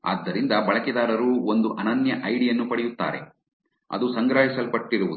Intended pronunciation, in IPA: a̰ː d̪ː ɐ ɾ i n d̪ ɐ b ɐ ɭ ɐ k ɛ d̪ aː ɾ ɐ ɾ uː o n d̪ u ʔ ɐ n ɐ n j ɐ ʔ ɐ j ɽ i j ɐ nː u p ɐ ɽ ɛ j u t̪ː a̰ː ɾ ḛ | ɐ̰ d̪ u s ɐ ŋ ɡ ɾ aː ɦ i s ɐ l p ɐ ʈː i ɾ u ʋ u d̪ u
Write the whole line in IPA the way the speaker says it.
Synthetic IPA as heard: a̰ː d̪ː ɐ ɾ i n d̪ ɐ b ɐ ɭ ɐ k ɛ d̪ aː ɾ ɐ ɾ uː o n d̪ u ʔ ɐ n ɐ n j ɐ ʔ ɐ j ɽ i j ɐ nː u p ɐ ɽ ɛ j u t̪ː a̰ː ɾ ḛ | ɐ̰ d̪ u s ɐ ŋ ɡ ɾ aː ɦ i s ɐ l p ɐ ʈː i ɾ u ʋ u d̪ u